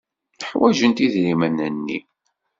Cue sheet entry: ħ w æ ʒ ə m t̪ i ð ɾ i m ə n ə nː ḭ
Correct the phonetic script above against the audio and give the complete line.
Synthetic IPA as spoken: ħ w æ ʒ ə n t̪ i ð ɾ i m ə n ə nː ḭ